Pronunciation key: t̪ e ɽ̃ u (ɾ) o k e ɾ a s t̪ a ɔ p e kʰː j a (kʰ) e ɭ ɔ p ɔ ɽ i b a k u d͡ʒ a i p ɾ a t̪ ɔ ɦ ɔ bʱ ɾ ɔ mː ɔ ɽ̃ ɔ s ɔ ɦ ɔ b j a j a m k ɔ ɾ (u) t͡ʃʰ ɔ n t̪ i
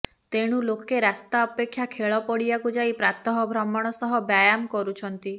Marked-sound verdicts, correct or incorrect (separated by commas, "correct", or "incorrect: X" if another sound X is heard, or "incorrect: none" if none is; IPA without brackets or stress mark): incorrect: l, correct, correct